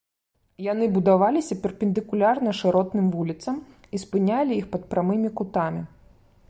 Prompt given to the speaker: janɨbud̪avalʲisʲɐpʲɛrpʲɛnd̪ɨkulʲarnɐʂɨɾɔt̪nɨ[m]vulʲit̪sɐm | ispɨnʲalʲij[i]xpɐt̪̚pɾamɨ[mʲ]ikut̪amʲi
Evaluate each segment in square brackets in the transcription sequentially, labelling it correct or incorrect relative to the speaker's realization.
correct, correct, correct

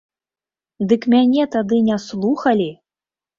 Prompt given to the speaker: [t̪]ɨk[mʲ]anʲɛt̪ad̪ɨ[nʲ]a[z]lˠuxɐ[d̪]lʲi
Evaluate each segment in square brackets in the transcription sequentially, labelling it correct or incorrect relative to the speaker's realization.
incorrect, correct, correct, incorrect, incorrect

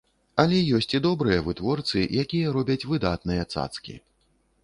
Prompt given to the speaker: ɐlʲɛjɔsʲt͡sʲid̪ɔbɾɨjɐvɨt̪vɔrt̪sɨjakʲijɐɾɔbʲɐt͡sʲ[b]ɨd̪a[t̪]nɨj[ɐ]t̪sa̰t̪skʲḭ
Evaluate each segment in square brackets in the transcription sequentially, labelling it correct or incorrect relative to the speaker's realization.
incorrect, correct, correct

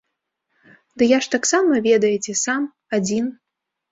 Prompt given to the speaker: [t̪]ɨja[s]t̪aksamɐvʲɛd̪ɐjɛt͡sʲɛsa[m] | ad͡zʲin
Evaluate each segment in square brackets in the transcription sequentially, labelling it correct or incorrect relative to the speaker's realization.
incorrect, incorrect, correct

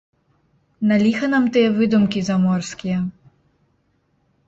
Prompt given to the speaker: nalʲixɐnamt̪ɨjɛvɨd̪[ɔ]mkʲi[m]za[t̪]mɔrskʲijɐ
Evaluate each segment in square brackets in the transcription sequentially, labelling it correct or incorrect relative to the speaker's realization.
incorrect, incorrect, incorrect

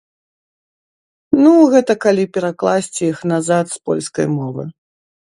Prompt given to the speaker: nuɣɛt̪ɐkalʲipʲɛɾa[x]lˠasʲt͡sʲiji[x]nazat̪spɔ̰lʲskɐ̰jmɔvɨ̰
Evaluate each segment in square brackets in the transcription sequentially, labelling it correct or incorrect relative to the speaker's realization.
incorrect, correct

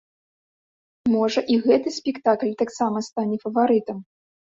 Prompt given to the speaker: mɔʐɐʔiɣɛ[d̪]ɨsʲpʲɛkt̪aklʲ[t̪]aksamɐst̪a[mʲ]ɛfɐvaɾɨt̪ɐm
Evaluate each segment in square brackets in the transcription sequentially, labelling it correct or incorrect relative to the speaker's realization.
incorrect, correct, incorrect

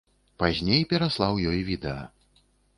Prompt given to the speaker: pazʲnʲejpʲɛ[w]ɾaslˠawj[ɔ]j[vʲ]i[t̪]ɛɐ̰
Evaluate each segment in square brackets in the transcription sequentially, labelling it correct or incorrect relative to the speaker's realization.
incorrect, correct, correct, incorrect

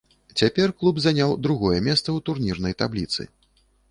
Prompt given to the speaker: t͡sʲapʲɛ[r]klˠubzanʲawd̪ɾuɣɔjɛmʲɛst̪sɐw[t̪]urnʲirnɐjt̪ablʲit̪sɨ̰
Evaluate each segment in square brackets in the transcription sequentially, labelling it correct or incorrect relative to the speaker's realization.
correct, correct

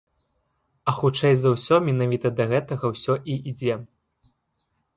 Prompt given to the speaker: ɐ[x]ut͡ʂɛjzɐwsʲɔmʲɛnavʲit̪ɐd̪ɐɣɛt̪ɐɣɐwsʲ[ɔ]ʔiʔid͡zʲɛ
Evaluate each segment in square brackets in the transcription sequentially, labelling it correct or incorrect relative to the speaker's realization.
correct, correct

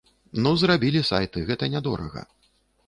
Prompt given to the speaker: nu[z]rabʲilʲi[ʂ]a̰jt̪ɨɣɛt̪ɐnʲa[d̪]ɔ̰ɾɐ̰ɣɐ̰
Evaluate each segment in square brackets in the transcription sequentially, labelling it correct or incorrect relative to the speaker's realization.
correct, incorrect, correct

